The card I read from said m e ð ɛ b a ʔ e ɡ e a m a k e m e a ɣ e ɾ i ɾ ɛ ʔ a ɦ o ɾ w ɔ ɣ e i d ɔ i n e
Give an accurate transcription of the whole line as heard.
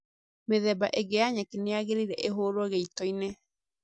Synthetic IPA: m e ð ɛ b a ʔ e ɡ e a ɲ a k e n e a ɣ e ɾ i ɾ ɛ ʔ e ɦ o ɾ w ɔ ɣ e i t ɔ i n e